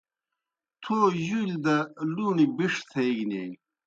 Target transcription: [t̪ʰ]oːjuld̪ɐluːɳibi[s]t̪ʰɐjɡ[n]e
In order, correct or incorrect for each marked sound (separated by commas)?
correct, incorrect, correct